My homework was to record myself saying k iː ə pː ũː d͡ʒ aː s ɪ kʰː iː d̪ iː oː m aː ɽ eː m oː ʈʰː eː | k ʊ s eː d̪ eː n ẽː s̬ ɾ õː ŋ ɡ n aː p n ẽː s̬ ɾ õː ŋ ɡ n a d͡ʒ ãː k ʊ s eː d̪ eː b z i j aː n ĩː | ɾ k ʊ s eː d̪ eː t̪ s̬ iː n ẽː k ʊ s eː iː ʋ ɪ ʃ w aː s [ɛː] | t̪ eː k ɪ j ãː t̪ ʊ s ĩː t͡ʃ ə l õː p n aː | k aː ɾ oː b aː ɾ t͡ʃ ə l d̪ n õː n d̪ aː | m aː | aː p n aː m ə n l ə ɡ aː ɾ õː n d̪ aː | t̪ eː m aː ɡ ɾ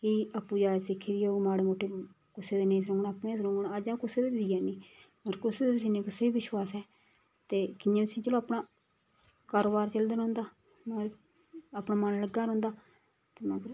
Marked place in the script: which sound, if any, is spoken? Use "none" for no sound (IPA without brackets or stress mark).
ɛː